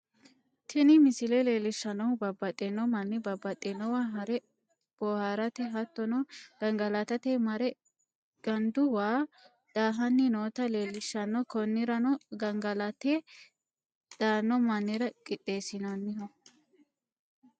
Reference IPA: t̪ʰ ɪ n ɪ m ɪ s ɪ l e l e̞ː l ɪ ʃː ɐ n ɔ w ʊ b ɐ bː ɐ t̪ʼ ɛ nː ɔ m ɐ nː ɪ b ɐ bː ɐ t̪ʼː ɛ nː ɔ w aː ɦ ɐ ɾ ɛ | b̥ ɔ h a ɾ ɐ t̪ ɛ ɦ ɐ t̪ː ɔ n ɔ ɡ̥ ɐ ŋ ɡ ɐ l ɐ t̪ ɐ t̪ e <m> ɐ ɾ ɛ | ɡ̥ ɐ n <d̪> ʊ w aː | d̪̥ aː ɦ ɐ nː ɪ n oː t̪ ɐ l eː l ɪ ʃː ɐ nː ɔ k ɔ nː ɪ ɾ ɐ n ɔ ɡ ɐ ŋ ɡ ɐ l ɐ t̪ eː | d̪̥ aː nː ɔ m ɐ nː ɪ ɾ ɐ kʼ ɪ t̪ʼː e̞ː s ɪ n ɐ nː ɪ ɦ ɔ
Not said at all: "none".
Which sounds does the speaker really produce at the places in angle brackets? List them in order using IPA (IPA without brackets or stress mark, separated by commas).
m, d̪